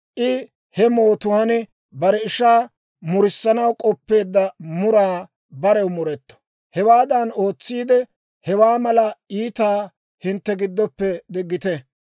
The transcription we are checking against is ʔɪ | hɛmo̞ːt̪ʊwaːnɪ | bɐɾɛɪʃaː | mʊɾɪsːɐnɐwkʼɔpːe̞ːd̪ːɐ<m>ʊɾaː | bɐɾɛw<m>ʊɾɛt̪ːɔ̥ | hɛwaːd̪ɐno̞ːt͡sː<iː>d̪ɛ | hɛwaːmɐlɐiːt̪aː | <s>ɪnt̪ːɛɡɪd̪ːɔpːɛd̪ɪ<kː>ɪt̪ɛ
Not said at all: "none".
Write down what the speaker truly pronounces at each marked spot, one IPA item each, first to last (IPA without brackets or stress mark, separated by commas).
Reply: m, m, iː, h, ɡː